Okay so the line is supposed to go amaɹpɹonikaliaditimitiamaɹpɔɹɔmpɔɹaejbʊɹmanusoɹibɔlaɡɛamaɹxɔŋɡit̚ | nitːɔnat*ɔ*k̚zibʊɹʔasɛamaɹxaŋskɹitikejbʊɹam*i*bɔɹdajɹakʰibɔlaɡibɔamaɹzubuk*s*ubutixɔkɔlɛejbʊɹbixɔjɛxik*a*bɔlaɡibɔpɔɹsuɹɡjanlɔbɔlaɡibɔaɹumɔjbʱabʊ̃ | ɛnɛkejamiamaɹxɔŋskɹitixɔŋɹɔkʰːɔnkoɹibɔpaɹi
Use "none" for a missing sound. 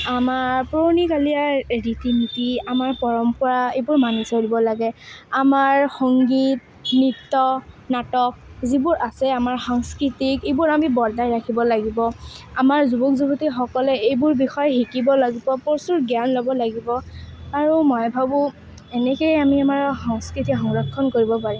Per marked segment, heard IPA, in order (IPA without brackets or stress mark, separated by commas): ɔ, i, z, i